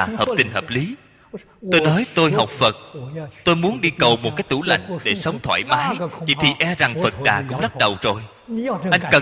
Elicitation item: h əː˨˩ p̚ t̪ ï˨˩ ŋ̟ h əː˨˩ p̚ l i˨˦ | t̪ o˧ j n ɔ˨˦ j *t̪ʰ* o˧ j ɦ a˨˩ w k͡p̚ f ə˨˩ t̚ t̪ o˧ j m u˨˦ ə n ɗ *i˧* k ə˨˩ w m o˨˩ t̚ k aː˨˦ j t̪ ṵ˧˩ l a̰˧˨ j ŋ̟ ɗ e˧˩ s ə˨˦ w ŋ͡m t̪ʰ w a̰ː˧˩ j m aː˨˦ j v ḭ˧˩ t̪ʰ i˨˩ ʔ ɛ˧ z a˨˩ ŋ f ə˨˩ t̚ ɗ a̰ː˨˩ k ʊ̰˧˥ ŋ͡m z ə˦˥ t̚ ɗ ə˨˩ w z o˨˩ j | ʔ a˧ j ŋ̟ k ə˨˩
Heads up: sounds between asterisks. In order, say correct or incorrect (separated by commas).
incorrect, correct